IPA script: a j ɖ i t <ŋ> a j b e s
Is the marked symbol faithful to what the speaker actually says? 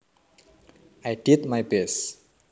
no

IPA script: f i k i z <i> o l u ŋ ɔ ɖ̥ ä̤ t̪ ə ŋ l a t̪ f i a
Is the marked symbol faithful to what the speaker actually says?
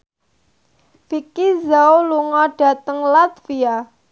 no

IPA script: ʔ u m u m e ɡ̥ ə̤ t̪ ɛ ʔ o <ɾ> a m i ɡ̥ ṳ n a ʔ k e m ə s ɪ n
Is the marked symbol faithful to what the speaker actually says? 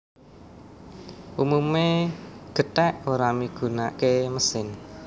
yes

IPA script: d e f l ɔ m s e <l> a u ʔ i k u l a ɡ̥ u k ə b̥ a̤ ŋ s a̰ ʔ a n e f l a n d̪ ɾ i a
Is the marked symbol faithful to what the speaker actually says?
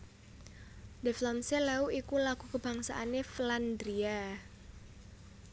yes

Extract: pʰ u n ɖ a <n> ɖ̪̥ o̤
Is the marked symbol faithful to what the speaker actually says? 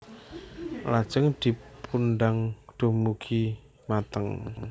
no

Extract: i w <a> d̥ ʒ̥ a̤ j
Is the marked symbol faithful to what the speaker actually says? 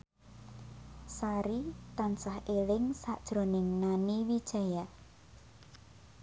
no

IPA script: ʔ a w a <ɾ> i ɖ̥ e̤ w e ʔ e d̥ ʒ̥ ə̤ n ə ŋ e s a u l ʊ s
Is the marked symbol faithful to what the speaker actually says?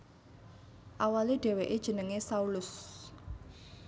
no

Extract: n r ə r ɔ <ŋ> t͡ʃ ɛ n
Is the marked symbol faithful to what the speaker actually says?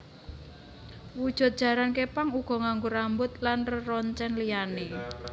no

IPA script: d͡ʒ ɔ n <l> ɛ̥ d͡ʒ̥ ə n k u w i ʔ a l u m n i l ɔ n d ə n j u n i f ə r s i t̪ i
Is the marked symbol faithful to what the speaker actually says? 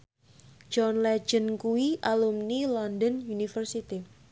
yes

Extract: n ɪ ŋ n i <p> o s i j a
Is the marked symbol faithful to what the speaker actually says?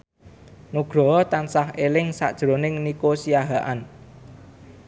no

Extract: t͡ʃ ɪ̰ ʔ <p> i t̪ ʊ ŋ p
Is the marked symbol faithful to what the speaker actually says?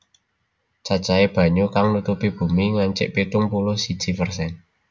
yes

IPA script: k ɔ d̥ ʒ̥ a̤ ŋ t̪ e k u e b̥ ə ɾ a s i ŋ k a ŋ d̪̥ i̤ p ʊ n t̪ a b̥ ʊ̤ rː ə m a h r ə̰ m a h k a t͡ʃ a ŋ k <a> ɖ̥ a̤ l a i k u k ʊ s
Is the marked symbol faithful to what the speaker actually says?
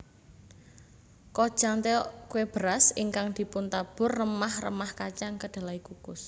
no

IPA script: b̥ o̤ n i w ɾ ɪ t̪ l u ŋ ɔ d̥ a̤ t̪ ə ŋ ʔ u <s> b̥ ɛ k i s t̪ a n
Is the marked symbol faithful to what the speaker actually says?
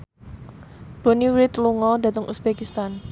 yes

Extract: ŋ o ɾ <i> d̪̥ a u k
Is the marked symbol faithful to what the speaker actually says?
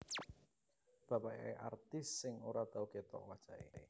no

